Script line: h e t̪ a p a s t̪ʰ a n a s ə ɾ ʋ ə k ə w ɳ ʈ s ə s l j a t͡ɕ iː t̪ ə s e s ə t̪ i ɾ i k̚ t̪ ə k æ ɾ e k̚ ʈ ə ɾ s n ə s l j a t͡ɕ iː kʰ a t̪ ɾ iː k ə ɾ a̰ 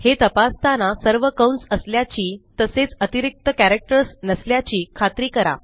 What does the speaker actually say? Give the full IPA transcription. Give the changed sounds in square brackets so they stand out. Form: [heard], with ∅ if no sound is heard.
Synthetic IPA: h e t̪ [ə] p a s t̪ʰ a n a s ə ɾ ʋ ə k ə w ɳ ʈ s ə s l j a t͡ɕ iː t̪ ə s e [t͡s] ə t̪ i ɾ i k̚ t̪ ə k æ ɾ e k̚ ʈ ə ɾ s n ə s l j a t͡ɕ iː kʰ a t̪ ɾ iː k ə ɾ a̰

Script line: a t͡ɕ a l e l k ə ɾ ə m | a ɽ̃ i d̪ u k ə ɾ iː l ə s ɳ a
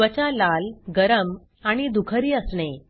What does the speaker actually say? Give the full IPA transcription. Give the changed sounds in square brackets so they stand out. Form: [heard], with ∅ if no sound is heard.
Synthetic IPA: [ə] t͡ɕ a l [a] l [ɡ] ə ɾ ə m | a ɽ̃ i d̪ u [kʰ] ə ɾ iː [∅] ə s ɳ [e]

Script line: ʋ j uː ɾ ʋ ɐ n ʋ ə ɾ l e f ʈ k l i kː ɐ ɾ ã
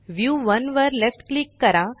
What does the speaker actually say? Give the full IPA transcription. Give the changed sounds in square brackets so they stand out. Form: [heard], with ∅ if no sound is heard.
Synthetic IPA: ʋ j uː [∅] ʋ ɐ n ʋ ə ɾ l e f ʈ k l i kː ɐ ɾ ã

